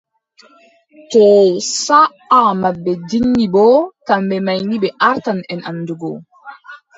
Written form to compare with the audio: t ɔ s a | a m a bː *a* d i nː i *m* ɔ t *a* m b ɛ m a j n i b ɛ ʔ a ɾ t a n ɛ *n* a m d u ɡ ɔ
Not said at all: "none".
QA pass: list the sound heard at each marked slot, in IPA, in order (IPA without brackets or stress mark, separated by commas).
ɛ, b, a, n